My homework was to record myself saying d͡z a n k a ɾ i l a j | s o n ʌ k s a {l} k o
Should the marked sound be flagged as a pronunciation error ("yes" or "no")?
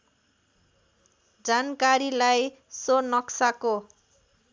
yes